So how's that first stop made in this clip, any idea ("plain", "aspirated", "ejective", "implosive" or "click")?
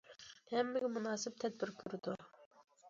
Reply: plain